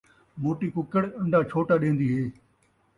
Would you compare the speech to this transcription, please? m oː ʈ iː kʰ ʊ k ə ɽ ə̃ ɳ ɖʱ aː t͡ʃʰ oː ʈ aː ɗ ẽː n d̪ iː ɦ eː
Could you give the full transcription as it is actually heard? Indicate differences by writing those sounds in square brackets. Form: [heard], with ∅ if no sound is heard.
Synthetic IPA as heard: m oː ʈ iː [k] ʊ k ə ɽ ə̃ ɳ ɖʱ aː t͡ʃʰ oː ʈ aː ɗ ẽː n d̪ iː ɦ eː